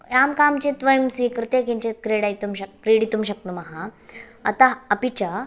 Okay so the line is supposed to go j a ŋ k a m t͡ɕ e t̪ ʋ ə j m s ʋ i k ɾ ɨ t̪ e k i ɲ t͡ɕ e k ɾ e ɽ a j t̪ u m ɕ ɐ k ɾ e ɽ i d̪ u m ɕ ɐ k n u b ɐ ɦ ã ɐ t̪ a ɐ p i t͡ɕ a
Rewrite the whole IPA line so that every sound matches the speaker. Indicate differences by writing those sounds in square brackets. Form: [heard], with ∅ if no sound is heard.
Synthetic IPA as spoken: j a [m] k a m t͡ɕ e t̪ ʋ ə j m s ʋ i k ɾ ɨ t̪ e k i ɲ t͡ɕ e k ɾ e ɽ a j t̪ u m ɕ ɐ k ɾ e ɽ i [t̪] u m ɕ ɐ k n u [m] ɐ ɦ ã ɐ t̪ a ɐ p i t͡ɕ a